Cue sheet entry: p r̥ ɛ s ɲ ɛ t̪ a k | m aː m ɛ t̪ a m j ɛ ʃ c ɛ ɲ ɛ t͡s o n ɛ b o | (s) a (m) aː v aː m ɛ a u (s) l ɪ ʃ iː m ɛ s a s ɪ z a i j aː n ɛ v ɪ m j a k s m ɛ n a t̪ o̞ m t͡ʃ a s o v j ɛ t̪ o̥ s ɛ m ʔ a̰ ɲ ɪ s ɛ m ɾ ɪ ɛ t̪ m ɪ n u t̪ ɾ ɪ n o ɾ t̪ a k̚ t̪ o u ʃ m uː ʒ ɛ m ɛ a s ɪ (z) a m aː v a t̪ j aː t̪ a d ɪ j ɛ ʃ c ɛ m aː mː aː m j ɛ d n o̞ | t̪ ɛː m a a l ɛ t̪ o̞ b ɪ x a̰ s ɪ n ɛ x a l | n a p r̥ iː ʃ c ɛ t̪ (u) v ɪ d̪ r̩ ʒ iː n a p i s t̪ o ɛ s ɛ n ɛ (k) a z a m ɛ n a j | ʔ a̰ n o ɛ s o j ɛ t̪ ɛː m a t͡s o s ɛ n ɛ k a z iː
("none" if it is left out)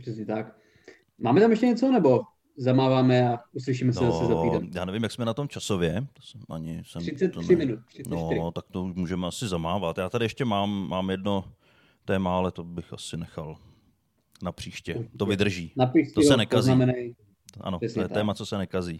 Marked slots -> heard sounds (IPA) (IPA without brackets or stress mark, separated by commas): z, m, s, z, o, k